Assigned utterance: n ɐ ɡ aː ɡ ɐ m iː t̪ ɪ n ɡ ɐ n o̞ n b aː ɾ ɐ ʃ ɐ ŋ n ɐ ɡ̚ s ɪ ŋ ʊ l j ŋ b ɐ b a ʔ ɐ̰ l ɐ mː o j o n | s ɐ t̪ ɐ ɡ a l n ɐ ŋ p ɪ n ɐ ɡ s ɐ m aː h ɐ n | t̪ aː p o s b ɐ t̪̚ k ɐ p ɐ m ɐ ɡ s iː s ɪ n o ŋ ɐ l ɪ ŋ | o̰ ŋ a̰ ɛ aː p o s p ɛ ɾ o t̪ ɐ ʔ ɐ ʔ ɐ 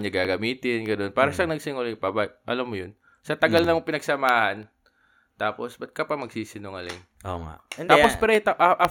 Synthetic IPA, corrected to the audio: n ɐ ɡ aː ɡ ɐ m iː t̪ ɪ n ɡ ɐ n o̞ n p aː ɾ ɐ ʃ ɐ ŋ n ɐ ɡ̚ s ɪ ŋ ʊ l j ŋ p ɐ b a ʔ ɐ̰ l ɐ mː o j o n | s ɐ t̪ ɐ ɡ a l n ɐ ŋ p ɪ n ɐ ɡ s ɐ m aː h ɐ n | t̪ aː p o s b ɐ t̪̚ k ɐ p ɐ m ɐ ɡ s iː s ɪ n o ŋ ɐ l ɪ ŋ | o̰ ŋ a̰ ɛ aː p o s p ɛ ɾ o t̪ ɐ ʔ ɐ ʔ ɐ